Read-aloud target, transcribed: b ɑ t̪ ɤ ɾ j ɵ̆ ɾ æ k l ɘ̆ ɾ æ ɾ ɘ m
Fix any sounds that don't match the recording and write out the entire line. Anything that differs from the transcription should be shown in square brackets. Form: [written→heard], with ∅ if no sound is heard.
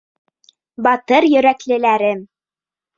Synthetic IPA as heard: b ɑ t̪ ɤ ɾ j ɵ̆ ɾ æ k l ɘ̆ [ɾ→l] æ ɾ ɘ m